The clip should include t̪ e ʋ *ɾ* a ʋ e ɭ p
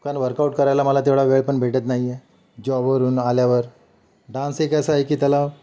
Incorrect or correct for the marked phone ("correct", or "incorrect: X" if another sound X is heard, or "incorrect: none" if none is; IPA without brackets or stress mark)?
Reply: incorrect: ɭ